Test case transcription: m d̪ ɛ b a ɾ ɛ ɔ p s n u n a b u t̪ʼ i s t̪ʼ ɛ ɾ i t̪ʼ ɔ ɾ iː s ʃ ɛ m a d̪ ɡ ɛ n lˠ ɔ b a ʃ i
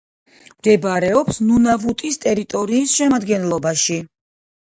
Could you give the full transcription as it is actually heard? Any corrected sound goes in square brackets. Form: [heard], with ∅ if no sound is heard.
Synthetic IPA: m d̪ ɛ b a ɾ ɛ ɔ p s n u n a [v] u t̪ʼ i s t̪ʼ ɛ ɾ i t̪ʼ ɔ ɾ iː s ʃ ɛ m a d̪ ɡ ɛ n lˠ ɔ b a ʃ i